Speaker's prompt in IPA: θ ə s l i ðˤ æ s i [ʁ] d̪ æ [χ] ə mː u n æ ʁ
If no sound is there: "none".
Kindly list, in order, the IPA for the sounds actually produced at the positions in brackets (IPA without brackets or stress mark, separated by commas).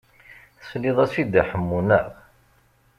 none, ħ